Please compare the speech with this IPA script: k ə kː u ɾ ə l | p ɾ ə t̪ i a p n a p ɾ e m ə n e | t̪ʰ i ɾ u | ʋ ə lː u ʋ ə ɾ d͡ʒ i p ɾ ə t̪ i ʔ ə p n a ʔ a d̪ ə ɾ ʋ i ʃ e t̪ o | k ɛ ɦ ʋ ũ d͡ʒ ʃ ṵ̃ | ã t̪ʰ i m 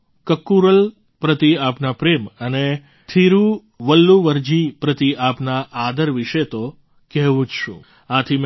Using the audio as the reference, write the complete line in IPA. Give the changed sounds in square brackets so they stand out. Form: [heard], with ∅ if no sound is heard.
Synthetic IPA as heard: k ə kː u ɾ ə l | p ɾ ə t̪ i a p n a p ɾ e m ə n e | t̪ʰ i ɾ u | ʋ ə lː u ʋ ə ɾ d͡ʒ i p ɾ ə t̪ i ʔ [a] p n a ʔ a d̪ ə ɾ ʋ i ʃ e t̪ o | k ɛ ɦ ʋ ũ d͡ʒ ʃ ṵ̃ | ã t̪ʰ i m